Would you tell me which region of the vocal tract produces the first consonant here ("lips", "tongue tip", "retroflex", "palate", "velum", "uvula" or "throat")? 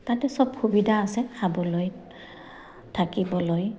tongue tip